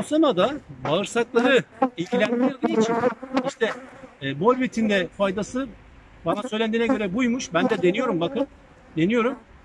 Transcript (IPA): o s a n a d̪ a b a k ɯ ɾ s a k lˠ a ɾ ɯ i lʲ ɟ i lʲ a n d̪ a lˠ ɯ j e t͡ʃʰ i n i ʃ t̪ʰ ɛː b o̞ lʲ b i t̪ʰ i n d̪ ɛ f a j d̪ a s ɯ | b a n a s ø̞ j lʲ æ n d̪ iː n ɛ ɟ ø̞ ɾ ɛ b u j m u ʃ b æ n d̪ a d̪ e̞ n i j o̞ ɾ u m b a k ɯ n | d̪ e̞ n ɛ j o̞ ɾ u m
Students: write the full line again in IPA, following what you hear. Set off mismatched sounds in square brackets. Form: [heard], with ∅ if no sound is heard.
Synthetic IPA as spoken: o s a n a d̪ a b a [∅] ɯ ɾ s a k lˠ a ɾ ɯ i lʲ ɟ i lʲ [æ] n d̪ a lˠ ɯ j [i] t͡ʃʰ i n i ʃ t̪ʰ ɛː b o̞ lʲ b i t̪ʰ i n d̪ ɛ f a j d̪ a s ɯ | b a n a s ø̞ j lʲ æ n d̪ iː n ɛ ɟ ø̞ ɾ ɛ b u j m u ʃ b æ n d̪ [ɛ] d̪ e̞ n i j o̞ ɾ u m b a k ɯ n | d̪ e̞ n [i] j o̞ ɾ u m